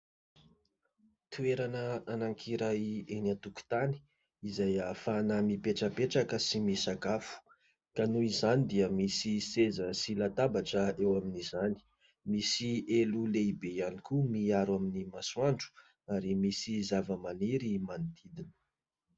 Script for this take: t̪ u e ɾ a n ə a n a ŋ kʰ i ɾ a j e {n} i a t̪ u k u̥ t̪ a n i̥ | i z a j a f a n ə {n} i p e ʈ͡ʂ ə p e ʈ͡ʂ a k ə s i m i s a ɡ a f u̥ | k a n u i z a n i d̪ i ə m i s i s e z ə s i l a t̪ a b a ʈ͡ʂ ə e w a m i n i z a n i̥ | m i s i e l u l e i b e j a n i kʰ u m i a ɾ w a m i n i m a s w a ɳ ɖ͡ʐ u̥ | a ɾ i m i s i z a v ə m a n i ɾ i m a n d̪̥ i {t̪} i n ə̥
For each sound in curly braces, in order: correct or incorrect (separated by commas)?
correct, incorrect, incorrect